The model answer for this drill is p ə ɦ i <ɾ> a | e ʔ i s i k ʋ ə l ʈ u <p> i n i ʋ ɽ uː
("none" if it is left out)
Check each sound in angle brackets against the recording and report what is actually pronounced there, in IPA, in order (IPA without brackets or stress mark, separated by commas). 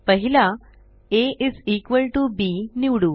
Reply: l, b